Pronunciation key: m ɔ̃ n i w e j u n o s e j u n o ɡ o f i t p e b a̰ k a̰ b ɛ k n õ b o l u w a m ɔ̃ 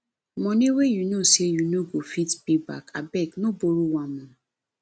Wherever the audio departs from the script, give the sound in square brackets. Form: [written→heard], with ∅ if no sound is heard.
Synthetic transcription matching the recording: m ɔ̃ n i w e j u n o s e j u n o ɡ o f i t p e b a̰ k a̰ b ɛ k n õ b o [l→ɾ] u w a m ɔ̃